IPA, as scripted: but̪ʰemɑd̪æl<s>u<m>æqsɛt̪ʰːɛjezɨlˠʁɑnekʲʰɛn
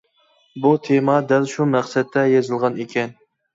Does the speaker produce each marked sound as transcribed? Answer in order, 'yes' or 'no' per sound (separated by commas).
no, yes